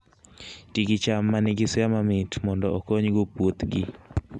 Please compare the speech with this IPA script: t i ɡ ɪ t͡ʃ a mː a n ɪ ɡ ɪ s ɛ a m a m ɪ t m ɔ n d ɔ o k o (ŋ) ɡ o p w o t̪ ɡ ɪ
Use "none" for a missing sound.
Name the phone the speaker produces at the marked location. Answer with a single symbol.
ɲ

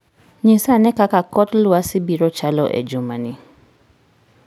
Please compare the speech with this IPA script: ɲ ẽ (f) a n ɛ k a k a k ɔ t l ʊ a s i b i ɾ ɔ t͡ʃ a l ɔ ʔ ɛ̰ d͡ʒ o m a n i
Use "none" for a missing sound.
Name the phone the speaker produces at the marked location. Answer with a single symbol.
s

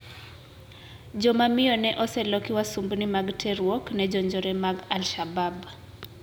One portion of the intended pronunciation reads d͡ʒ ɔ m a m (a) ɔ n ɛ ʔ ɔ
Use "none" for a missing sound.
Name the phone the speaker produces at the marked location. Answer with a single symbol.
i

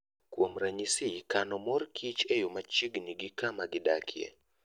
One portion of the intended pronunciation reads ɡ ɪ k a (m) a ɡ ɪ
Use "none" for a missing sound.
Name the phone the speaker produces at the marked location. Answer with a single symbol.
m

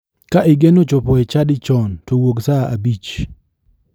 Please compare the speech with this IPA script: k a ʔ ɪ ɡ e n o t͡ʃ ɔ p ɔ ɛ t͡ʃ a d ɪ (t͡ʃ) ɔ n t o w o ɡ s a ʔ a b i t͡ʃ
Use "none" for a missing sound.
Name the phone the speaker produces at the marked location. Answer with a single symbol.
t͡ʃ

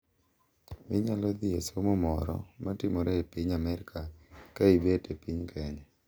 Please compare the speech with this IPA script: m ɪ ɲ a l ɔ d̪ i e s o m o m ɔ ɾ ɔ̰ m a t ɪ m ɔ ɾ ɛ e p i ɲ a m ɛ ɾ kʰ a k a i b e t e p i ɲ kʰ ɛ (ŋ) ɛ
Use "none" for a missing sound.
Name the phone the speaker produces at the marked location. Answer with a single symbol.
ɲ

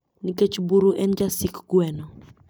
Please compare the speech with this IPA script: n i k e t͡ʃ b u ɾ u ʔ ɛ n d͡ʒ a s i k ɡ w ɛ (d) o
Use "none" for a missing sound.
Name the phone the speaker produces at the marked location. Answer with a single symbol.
n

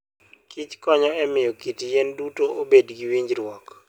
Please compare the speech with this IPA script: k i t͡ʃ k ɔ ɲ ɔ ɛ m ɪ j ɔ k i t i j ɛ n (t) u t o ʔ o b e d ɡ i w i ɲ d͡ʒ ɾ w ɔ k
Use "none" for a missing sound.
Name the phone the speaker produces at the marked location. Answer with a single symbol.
d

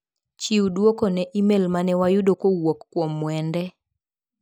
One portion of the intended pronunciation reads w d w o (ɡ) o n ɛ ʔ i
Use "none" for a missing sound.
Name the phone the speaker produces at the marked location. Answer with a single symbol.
k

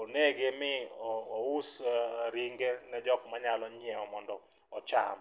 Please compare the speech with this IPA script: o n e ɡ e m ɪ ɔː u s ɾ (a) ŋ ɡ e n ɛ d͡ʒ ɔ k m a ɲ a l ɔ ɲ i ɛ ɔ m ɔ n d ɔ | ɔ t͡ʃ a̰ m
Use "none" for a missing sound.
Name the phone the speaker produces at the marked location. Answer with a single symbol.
i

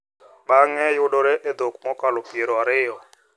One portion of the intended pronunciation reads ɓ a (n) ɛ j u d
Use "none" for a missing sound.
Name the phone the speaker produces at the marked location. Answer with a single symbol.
ŋ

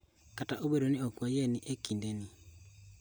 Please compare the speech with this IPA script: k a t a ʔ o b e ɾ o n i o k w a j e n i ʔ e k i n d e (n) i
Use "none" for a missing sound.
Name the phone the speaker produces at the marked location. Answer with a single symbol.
n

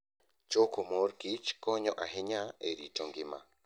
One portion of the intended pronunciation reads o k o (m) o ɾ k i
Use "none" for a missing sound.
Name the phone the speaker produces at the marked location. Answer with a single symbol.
m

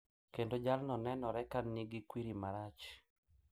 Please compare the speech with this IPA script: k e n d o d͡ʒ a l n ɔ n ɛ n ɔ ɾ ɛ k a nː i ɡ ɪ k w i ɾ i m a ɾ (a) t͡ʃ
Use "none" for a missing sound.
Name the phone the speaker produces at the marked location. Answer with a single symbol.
a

